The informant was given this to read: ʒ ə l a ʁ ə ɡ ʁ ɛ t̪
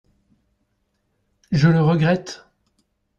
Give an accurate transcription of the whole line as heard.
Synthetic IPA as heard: ʒ ə l ə ʁ ə ɡ ʁ ɛ t̪